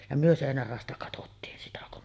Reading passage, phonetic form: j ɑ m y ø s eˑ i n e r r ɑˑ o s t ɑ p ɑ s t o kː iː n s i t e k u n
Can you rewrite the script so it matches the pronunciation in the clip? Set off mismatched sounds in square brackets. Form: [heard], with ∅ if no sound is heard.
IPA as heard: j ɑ m y ø s eˑ i n [æ] r r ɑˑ o s t ɑ [k] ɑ [∅] t o [tː] iː n s i t [æ] k u n